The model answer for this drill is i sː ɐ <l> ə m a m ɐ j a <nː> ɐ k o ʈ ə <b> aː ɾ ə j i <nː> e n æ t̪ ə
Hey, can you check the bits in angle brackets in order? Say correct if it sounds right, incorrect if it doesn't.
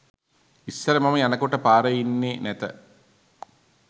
incorrect, incorrect, incorrect, correct

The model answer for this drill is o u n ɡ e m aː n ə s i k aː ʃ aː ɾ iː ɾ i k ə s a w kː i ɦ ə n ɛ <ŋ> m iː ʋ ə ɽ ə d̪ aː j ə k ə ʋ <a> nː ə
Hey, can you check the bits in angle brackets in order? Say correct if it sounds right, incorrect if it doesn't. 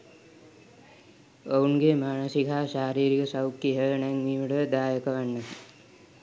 correct, correct

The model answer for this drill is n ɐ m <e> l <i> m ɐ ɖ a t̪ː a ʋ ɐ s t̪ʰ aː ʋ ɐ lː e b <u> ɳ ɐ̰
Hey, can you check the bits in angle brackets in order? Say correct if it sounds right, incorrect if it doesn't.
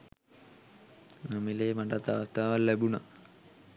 incorrect, incorrect, correct

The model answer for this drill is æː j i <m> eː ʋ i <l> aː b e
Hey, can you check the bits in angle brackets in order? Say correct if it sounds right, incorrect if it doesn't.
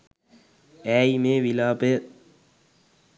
correct, correct

